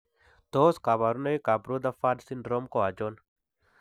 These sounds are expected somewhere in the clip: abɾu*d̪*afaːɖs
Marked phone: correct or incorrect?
correct